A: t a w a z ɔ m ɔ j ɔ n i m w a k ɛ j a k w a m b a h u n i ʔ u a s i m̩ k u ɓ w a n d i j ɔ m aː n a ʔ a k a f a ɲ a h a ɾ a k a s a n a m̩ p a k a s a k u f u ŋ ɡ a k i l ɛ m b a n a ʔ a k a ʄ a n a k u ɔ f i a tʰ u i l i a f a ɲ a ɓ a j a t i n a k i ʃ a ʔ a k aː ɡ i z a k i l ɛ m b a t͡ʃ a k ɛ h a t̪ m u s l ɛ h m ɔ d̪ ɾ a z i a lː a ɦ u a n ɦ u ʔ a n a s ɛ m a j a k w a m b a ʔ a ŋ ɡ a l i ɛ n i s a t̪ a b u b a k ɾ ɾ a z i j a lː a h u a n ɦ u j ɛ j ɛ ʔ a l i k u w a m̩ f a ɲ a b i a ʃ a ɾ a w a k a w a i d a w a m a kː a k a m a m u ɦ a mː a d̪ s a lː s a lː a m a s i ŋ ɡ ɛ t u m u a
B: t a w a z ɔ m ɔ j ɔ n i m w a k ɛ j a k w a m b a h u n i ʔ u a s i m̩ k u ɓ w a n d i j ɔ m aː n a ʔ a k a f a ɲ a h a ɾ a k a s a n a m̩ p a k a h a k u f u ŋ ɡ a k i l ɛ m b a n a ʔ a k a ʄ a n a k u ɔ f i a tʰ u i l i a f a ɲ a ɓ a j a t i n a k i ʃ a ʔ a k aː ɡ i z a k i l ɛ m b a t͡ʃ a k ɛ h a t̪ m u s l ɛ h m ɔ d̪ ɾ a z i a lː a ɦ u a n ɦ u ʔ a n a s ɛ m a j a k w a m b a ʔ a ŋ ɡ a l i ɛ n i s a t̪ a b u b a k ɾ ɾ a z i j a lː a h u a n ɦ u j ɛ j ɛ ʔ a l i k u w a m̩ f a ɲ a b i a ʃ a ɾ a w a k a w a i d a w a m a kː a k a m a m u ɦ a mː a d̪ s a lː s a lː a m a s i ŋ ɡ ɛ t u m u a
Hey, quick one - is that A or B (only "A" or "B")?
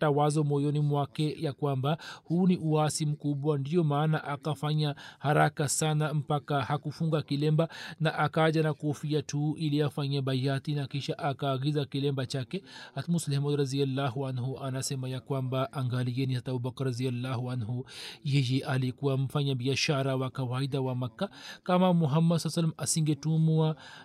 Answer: B